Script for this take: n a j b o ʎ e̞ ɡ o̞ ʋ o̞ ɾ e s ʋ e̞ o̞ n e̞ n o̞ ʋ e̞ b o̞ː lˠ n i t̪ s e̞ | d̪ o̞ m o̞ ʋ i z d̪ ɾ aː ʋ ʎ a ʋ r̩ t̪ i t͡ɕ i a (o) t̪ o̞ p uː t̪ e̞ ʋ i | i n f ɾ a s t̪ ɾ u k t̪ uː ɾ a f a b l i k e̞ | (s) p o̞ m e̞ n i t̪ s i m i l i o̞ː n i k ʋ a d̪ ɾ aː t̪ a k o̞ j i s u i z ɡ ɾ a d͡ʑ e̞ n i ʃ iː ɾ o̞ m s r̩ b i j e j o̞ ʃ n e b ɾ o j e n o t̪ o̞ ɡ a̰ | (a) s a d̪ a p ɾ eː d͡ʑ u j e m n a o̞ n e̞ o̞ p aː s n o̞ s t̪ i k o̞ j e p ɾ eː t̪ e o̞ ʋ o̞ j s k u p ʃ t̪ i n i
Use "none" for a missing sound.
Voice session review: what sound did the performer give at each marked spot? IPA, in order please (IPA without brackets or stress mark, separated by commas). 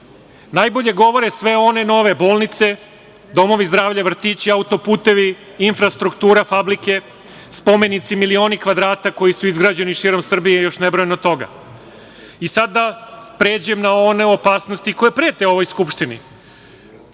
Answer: u, s, i